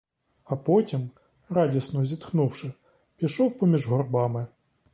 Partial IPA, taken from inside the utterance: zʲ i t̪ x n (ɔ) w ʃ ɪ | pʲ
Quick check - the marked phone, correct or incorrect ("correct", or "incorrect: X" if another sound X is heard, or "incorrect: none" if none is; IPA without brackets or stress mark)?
incorrect: u